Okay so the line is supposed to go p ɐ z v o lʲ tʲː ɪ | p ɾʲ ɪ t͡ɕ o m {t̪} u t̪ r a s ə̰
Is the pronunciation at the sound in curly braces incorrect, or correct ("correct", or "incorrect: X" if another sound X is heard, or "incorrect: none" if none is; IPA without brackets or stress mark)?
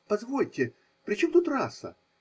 correct